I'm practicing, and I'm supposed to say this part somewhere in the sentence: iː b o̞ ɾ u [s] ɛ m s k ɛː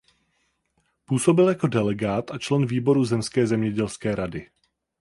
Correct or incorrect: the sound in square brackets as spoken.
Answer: incorrect: z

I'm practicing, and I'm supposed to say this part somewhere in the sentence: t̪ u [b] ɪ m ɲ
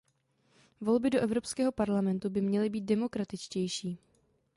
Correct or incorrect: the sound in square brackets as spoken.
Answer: correct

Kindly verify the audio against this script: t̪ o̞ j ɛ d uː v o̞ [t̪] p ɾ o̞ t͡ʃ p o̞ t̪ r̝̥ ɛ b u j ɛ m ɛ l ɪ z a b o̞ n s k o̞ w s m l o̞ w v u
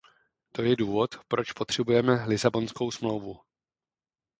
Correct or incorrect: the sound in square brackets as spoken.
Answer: correct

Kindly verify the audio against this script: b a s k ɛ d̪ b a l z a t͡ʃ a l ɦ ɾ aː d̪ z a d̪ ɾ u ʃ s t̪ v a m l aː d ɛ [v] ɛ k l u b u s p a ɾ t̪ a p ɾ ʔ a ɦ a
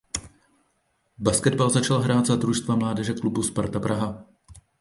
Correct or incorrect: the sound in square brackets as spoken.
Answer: incorrect: ʒ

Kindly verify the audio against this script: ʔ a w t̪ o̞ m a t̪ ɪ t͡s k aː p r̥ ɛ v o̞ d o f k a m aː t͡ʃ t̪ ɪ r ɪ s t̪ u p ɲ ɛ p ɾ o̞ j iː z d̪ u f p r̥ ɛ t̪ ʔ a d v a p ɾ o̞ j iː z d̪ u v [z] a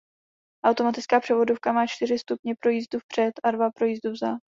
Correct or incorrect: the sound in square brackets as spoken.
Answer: correct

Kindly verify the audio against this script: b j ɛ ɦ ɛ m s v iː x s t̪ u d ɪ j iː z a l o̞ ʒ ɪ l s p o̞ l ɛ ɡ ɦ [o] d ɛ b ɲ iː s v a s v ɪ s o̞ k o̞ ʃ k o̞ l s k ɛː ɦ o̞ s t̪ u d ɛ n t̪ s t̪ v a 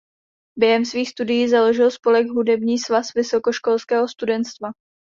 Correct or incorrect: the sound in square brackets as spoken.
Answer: incorrect: u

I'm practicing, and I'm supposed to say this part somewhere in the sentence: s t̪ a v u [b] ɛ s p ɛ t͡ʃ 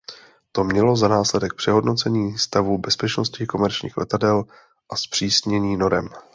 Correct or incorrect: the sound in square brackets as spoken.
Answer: correct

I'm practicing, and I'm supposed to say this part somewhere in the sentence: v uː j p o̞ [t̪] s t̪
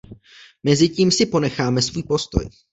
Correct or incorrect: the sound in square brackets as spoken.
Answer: incorrect: none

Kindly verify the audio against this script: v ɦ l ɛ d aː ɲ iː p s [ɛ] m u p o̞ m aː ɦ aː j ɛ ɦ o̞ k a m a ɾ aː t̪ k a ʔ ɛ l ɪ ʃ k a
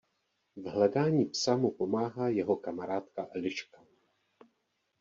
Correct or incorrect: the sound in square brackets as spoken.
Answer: incorrect: a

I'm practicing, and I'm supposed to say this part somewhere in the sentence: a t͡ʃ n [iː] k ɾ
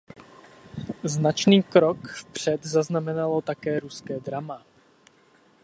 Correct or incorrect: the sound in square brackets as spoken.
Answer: correct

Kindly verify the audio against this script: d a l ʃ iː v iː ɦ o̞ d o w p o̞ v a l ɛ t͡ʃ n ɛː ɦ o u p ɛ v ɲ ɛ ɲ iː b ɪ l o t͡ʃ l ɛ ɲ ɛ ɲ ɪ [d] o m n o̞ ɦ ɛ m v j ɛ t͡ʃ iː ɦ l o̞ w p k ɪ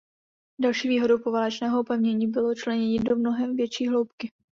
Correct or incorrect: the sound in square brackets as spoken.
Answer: correct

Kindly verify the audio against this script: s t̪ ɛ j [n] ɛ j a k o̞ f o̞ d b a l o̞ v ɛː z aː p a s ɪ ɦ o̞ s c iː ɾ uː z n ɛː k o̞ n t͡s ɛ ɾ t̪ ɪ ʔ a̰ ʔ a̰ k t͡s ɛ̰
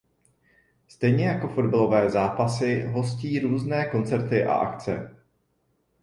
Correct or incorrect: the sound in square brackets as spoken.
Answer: incorrect: ɲ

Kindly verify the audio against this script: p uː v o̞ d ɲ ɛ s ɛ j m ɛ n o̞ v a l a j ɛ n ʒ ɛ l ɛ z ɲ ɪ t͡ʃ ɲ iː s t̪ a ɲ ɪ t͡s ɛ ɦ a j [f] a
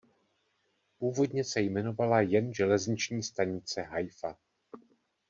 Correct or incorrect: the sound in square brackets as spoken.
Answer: correct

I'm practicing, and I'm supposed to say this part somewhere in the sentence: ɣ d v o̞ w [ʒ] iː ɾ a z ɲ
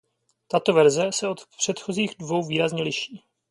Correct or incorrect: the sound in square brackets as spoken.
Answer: incorrect: v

